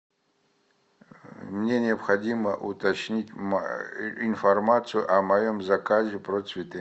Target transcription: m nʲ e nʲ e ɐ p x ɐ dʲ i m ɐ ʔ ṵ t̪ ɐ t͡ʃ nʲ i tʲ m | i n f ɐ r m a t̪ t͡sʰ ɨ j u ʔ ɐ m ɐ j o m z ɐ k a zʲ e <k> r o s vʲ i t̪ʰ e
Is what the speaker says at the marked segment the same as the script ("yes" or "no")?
no